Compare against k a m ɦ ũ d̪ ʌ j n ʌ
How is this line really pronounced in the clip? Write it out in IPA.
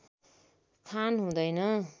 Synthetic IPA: kʰ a n ɦ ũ d̪ ʌ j n ʌ